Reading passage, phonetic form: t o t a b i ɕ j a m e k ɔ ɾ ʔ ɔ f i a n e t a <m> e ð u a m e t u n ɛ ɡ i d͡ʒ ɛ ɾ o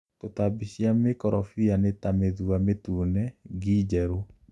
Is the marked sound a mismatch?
no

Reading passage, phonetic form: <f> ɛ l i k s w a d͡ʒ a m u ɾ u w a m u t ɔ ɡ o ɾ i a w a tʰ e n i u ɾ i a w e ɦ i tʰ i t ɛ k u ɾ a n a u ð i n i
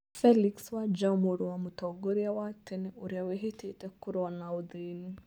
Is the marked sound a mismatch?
no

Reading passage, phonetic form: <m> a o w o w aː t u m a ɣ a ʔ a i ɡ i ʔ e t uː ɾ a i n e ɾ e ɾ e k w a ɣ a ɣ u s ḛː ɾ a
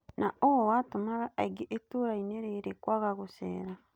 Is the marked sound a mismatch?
yes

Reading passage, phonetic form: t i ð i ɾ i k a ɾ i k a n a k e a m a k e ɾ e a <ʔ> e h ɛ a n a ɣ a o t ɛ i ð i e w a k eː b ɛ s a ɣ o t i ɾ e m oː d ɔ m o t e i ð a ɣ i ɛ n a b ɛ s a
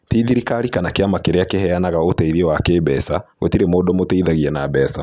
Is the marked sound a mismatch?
yes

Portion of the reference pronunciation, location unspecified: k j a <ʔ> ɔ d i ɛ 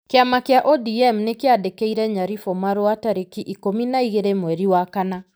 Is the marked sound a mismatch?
no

